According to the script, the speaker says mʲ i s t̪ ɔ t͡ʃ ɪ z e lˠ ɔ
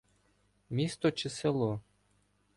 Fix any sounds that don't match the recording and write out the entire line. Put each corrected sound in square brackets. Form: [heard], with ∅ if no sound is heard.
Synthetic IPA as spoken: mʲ i s t̪ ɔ t͡ʃ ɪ [s] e lˠ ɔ